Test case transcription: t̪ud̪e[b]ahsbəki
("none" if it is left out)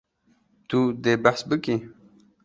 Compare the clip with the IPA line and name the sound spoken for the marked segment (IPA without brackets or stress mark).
b